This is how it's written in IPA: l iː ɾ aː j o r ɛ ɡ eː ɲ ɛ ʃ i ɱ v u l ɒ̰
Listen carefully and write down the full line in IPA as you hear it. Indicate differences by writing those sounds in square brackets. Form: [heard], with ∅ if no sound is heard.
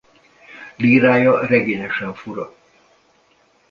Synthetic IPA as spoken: l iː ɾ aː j [ɒ] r ɛ ɡ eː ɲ ɛ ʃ [ɛ] ɱ [f] u [ɾ] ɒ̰